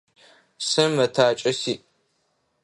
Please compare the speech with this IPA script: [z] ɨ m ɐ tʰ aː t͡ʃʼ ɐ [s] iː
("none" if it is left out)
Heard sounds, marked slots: s, s

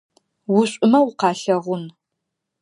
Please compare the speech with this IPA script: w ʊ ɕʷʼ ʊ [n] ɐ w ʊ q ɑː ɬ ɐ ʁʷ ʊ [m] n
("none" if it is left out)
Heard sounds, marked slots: m, none

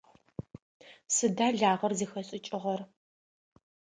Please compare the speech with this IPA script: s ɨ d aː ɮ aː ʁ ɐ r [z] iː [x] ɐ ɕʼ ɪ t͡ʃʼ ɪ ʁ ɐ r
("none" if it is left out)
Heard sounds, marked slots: z, x

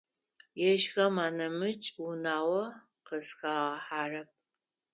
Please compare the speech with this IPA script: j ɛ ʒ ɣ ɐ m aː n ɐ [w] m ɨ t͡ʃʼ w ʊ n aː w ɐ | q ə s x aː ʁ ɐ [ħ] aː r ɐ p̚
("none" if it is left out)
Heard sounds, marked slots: none, ħ

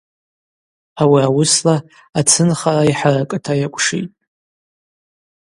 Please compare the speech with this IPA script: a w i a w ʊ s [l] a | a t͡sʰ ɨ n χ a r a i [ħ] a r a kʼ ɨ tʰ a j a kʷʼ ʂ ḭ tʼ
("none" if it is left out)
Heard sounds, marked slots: l, ħ

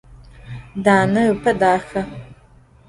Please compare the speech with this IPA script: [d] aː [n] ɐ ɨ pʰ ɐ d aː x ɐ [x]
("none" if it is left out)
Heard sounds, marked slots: d, n, none

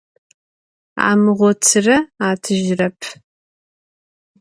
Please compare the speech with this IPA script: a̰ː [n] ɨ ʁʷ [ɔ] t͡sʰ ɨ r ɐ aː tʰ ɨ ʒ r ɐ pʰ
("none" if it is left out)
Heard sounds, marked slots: m, ɔ

